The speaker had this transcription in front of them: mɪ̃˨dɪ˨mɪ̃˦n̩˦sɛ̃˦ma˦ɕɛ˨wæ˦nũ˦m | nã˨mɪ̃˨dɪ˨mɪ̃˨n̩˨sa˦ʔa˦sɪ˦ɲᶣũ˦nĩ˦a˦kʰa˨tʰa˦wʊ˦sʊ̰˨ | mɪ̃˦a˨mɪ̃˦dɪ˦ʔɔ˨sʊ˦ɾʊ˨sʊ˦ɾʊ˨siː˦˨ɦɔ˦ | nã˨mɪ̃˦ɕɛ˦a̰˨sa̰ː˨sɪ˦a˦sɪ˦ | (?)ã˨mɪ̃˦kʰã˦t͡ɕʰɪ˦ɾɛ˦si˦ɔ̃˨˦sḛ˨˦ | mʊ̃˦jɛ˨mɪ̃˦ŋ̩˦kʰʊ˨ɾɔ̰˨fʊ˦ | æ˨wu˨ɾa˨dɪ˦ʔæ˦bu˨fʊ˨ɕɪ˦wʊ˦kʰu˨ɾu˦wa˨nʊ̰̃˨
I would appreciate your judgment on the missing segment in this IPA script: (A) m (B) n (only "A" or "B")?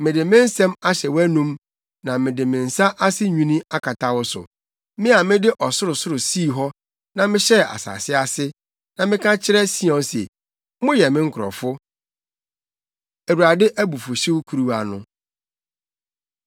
B